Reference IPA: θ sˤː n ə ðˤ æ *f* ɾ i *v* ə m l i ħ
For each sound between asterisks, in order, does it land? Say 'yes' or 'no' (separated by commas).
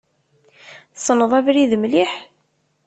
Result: no, no